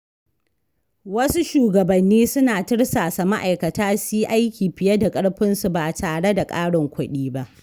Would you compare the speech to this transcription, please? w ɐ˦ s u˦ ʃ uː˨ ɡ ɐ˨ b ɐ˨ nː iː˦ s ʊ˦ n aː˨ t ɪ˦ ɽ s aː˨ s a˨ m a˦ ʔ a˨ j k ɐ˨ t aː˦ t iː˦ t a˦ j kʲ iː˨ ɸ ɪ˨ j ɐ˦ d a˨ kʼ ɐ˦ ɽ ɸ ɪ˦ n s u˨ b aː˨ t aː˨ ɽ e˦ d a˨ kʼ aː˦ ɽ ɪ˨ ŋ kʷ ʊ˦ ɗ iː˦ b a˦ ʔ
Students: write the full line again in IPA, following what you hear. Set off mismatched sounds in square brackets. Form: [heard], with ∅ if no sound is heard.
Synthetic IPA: w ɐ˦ s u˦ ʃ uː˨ ɡ ɐ˨ b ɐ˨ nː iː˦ s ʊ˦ n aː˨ t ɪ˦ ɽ s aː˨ s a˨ m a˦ ʔ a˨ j k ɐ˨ t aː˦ [s] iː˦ [ʔ] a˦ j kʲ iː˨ ɸ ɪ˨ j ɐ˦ d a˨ kʼ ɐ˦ ɽ ɸ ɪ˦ n s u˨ b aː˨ t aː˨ ɽ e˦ d a˨ kʼ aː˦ ɽ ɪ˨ ŋ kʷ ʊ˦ ɗ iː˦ b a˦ ʔ